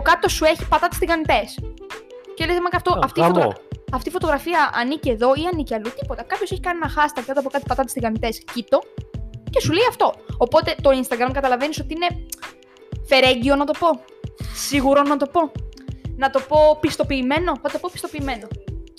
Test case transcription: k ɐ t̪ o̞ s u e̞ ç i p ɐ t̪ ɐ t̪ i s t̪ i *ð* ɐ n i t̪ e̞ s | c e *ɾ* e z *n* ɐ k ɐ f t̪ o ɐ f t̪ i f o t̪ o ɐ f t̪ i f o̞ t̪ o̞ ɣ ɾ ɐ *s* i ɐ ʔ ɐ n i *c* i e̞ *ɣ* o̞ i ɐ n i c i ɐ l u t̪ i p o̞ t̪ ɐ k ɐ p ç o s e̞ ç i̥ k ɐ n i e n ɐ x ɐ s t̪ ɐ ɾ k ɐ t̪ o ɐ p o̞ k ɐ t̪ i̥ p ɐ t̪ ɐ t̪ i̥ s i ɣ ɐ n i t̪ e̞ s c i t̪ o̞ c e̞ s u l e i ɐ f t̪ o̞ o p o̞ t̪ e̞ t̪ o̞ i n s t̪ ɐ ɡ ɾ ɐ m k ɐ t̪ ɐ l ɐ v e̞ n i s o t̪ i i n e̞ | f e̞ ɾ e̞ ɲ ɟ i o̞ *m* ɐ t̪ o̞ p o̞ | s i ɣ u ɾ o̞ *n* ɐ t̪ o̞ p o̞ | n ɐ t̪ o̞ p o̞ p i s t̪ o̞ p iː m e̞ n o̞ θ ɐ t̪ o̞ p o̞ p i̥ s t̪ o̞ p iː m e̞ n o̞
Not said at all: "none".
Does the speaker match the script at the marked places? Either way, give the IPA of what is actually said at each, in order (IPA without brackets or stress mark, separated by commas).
ɣ, l, m, f, c, ð, n, n